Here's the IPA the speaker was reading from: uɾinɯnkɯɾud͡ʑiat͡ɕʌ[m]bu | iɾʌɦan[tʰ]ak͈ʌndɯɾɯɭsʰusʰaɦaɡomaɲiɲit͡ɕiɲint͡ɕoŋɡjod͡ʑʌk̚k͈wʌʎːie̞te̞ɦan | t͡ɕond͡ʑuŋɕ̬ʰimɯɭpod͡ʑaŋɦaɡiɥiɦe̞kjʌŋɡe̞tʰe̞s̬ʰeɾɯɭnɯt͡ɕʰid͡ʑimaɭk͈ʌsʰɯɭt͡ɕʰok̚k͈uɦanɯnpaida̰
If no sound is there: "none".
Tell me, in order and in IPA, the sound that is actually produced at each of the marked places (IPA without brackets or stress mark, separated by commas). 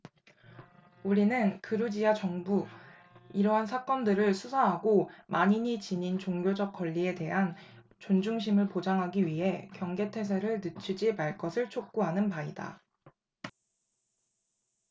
ŋ, sʰ